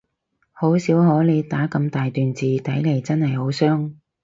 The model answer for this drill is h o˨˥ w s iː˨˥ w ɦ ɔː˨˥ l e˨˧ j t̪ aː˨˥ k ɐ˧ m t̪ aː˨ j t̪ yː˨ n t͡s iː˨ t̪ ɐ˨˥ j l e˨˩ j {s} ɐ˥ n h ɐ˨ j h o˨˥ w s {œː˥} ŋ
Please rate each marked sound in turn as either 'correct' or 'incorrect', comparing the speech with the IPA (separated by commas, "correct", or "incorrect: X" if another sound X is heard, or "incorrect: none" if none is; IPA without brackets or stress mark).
incorrect: t͡s, correct